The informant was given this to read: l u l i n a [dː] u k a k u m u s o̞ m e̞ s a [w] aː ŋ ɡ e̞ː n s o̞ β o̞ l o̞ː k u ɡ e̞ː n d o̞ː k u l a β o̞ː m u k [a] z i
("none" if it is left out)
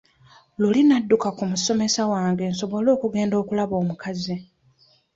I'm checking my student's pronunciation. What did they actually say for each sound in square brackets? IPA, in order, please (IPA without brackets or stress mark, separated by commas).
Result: dː, w, a